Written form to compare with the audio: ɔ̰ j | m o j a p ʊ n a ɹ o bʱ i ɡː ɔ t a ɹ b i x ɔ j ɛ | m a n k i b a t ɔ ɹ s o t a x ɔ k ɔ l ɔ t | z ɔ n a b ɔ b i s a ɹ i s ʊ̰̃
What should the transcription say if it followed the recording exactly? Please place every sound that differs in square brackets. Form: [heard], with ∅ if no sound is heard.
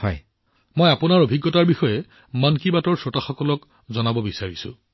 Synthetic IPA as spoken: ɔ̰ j | m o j a p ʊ n a ɹ o bʱ i ɡː ɔ t a ɹ b i x ɔ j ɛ | m a n k i b a t ɔ ɹ s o t a x ɔ k ɔ l ɔ [k] | z ɔ n a b ɔ b i s a ɹ i s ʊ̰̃